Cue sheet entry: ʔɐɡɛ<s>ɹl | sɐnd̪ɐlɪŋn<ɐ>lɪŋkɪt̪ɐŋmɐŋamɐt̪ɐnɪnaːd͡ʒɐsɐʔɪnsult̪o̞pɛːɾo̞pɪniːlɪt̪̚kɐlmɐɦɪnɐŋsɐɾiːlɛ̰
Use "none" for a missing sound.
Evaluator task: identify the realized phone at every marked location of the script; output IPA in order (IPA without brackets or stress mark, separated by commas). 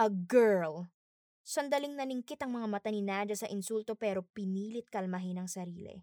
none, ɐ